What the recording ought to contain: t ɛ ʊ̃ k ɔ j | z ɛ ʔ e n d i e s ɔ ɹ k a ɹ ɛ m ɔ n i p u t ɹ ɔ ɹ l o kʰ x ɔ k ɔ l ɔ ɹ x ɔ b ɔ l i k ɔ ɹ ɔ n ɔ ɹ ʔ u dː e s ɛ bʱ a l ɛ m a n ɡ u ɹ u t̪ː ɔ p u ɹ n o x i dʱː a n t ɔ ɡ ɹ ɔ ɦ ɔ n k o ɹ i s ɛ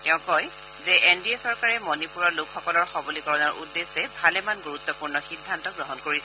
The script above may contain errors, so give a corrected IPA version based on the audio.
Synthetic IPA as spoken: t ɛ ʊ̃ k ɔ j | z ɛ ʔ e n d i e s ɔ ɹ k a ɹ ɛ m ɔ n i p u ɹ ɔ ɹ l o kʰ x ɔ k ɔ l ɔ ɹ x ɔ b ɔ l i k ɔ ɹ ɔ n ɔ ɹ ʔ u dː e s ɛ bʱ a l ɛ m a n ɡ u ɹ u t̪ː ɔ p u ɹ n ɔ x i dʱː a n t ɔ ɡ ɹ ɔ ɦ ɔ n k o ɹ i s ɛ

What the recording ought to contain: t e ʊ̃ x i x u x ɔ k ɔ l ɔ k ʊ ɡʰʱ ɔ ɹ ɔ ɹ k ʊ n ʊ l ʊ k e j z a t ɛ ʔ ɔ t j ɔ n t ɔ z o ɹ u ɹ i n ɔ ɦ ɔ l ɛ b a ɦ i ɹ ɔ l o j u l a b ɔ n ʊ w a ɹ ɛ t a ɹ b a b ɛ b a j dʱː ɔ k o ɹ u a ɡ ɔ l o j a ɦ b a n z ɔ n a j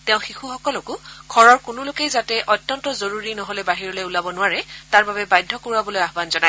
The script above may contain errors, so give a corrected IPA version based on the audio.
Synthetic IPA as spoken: t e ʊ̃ x i x u x ɔ k ɔ l ɔ k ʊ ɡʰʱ ɔ ɹ ɔ ɹ k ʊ n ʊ l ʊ k e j z a t ɛ ʔ ɔ t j ɔ n t ɔ z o ɹ u ɹ i n ɔ ɦ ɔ l ɛ b a ɦ i ɹ ɔ l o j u l a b ɔ n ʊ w a ɹ ɛ t a ɹ b a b ɛ b a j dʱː ɔ k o ɹ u a b ɔ l o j a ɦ b a n z ɔ n a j

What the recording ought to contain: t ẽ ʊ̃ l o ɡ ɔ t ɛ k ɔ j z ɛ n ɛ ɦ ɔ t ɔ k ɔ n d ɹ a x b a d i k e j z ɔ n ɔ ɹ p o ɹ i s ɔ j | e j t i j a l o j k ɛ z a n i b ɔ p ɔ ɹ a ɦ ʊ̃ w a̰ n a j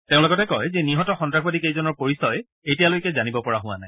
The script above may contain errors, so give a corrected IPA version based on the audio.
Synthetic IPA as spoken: t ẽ ʊ̃ l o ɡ ɔ t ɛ k ɔ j z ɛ n i ɦ ɔ t ɔ x ɔ n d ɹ a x b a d i k e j z ɔ n ɔ ɹ p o ɹ i s ɔ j | e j t i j a l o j k ɛ z a n i b ɔ p ɔ ɹ a ɦ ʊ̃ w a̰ n a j

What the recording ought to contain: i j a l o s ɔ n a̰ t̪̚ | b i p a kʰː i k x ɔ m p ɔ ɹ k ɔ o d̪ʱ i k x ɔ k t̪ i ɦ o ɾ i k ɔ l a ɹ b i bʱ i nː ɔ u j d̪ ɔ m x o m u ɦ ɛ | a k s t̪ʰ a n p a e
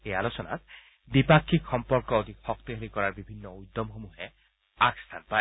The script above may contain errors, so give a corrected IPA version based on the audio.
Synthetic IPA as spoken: e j a l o s ɔ n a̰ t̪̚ | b i p a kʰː i k x ɔ m p ɔ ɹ k ɔ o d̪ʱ i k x ɔ k t̪ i ɦ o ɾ i k ɔ ɹ a ɹ b i bʱ i nː ɔ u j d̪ ɔ m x o m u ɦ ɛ | a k s t̪ʰ a n p a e

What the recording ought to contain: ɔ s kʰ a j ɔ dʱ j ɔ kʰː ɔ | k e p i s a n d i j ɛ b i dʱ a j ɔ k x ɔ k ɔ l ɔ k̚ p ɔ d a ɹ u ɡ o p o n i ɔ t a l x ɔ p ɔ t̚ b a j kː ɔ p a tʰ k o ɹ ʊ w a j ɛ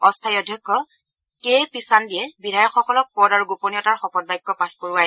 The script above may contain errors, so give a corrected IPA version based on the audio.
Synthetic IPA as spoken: ɔ s tʰ a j ɔ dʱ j ɔ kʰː ɔ | k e p i s a n d i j ɛ b i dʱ a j ɔ k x ɔ k ɔ l ɔ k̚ p ɔ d a ɹ u ɡ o p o n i ɔ t a ɹ x ɔ p ɔ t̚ b a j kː ɔ p a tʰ k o ɹ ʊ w a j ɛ

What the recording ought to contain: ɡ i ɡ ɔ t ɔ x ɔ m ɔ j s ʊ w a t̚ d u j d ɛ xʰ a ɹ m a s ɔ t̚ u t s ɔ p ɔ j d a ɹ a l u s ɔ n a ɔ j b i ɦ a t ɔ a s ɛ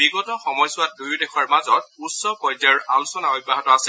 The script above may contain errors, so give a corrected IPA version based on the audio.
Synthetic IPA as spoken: b i ɡ ɔ t ɔ x ɔ m ɔ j s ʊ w a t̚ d u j d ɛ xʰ a ɹ m a z ɔ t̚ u t s ɔ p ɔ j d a ɹ a l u s ɔ n a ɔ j b a ɦ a t ɔ a s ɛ

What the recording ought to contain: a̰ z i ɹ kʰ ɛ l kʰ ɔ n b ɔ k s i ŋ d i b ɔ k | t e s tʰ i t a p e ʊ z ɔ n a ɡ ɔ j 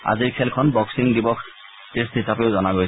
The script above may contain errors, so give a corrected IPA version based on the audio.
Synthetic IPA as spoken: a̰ z i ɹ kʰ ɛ l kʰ ɔ n b ɔ k s i ŋ d i b ɔ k | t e s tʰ i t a p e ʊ z ɔ n a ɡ o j

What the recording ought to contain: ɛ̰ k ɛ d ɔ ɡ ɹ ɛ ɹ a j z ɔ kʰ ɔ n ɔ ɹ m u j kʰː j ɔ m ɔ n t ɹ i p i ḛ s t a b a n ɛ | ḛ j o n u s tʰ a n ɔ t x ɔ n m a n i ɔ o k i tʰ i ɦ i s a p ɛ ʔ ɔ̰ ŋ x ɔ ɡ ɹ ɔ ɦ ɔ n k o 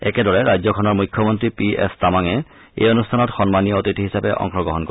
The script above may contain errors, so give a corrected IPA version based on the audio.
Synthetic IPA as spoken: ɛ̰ k ɛ d ɔ ɹ ɛ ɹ a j z ɔ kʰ ɔ n ɔ ɹ m u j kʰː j ɔ m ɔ n t ɹ i p i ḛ s t a m a ŋ ɛ | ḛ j o n u s tʰ a n ɔ t x ɔ n m a n i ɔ o t i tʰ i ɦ i s a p ɛ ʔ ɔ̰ ŋ x ɔ ɡ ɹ ɔ ɦ ɔ n k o

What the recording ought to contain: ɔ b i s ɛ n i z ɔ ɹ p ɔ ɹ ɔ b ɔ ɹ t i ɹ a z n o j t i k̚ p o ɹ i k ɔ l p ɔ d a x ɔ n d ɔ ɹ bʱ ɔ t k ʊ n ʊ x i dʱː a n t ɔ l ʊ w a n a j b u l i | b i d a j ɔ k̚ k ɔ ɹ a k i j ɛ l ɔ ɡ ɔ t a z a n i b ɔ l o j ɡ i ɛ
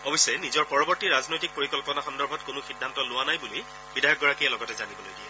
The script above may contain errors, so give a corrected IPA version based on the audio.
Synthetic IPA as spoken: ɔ b i s ɛ n i z ɔ ɹ p ɔ ɹ ɔ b ɔ ɹ t i ɹ a z n o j t i k̚ p o ɹ i k ɔ l p ɔ n a x ɔ n d ɔ ɹ bʱ ɔ t k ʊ n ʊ x i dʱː a n t ɔ l ʊ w a n a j b u l i | b i d a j ɔ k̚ ɡ ɔ ɹ a k i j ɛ l ɔ ɡ ɔ t ɛ z a n i b ɔ l o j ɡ i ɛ

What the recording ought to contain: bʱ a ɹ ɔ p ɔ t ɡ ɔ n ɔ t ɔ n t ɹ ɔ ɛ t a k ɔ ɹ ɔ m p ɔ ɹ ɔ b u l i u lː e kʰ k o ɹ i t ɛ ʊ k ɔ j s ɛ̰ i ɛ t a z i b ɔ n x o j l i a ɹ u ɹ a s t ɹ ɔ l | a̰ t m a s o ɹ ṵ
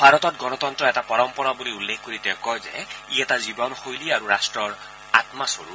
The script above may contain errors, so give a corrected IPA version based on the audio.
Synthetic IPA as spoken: bʱ a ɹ ɔ t ɔ t ɡ ɔ n ɔ t ɔ n t ɹ ɔ ɛ t a p ɔ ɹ ɔ m p ɔ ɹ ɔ b u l i u lː e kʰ k o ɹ i t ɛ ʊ k ɔ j z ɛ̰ i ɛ t a z i b ɔ n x o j l i a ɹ u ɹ a s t ɹ ɔ ɹ | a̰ t m a s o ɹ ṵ

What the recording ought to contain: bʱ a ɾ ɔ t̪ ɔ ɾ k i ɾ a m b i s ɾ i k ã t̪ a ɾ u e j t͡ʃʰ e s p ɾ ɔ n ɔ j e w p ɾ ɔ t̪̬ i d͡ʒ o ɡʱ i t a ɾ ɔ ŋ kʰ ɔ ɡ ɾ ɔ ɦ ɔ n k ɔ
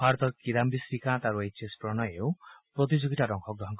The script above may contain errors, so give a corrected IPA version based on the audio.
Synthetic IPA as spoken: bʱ a ɾ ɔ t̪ ɔ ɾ k i ɾ a m b i s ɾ i k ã t̪ a ɾ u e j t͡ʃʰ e s p ɾ ɔ n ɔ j e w p ɾ ɔ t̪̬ i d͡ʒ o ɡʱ i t a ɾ ɔ ŋ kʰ ɔ ɡ ɾ ɔ ɦ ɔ ŋ k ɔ

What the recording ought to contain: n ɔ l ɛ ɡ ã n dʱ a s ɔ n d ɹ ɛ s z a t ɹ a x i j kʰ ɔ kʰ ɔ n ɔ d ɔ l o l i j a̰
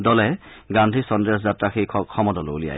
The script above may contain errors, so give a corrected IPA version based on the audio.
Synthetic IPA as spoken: d ɔ l ɛ ɡ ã n dʱ i s ɔ n d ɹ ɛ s z a t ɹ a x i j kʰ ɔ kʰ ɔ m ɔ d ɔ l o l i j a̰

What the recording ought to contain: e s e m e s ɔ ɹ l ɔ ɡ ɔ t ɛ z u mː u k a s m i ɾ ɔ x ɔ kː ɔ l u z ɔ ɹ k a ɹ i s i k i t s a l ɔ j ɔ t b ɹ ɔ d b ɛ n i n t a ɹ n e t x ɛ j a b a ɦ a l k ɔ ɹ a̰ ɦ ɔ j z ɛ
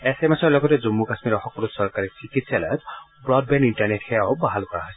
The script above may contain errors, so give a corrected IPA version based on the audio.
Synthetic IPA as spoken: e s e m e s ɔ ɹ l ɔ ɡ ɔ t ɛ z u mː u k a s m i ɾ ɔ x ɔ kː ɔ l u s ɔ ɹ k a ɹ i s i k i t s a l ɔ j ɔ t b ɹ ɔ d b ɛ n i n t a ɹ n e t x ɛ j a b a ɦ a l k ɔ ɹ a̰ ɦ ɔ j s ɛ

